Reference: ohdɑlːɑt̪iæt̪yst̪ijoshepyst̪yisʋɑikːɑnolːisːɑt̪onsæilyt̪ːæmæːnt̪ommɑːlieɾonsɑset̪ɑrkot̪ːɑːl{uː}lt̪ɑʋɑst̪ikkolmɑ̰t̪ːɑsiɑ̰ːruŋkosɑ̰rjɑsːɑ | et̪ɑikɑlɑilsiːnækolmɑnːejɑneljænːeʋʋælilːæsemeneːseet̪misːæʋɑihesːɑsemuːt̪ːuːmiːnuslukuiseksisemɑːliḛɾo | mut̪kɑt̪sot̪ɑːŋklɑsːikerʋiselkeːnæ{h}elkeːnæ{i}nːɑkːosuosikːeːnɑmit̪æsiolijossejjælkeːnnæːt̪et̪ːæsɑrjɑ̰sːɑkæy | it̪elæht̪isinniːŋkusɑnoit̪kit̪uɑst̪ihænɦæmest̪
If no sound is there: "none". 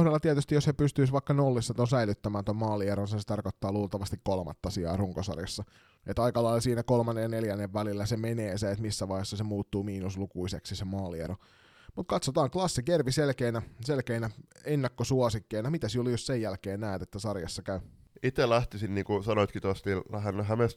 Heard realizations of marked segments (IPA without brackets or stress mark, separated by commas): uː, s, e